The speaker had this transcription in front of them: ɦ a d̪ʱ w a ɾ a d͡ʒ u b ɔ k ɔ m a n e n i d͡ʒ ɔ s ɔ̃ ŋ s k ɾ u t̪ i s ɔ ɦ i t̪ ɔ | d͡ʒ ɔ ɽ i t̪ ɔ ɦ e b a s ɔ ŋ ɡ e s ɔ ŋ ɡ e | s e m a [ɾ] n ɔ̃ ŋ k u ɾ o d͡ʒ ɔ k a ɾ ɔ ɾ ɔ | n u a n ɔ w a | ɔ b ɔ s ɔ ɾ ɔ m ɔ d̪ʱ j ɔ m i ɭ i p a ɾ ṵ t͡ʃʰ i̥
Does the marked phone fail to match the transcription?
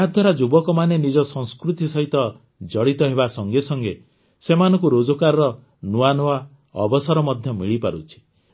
yes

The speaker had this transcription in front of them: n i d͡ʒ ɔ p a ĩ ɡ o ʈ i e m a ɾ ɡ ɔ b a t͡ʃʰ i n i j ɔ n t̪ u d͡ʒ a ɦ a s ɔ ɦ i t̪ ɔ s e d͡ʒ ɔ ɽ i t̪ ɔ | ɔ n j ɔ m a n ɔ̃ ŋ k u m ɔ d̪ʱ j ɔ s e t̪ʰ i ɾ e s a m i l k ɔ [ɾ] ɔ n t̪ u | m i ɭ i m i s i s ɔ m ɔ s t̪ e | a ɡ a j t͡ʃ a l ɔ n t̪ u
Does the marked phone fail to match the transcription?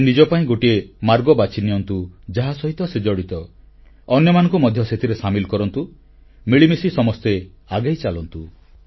no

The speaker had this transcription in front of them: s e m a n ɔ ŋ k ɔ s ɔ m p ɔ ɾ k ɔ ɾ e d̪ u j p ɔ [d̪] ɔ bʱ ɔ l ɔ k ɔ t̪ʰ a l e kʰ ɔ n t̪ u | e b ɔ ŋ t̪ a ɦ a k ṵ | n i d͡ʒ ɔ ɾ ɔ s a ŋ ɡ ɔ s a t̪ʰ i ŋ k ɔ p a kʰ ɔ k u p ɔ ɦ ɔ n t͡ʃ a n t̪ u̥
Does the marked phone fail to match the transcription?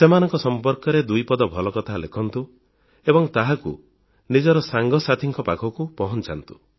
no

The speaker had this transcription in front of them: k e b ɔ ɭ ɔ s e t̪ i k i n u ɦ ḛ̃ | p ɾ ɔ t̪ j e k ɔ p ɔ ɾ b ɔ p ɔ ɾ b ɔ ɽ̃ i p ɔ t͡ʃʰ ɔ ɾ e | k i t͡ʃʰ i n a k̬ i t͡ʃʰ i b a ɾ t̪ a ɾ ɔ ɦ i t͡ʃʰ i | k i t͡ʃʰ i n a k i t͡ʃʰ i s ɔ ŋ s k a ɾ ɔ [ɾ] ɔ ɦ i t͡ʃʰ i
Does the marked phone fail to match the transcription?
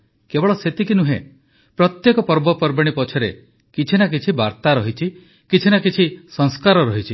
no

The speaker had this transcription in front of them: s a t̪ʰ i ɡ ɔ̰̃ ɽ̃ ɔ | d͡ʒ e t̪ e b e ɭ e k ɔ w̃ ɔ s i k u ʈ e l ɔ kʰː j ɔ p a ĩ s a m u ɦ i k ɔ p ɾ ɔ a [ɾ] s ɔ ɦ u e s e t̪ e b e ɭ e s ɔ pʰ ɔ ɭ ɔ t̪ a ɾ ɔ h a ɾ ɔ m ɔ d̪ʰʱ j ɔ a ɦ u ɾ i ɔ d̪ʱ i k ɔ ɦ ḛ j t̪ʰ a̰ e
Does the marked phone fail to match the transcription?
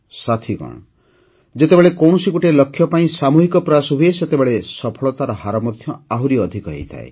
yes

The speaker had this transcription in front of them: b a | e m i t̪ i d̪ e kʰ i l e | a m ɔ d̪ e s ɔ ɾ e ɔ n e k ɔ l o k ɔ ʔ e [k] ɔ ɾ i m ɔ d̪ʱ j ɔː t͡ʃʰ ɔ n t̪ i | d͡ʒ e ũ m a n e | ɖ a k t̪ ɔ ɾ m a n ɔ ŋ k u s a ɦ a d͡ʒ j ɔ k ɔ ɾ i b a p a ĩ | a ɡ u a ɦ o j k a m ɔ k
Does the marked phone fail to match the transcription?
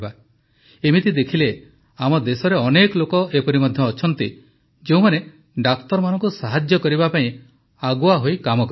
yes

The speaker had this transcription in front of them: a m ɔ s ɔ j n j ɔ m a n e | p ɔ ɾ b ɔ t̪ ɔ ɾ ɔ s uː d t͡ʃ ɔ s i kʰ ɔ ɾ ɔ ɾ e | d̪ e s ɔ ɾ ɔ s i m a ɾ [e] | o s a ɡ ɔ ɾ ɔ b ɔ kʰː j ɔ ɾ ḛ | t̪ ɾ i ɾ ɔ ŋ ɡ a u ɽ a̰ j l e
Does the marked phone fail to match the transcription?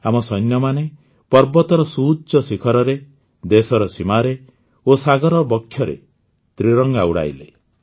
no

